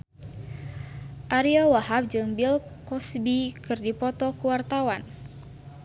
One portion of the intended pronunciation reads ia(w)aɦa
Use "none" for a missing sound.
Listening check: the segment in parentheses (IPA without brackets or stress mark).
w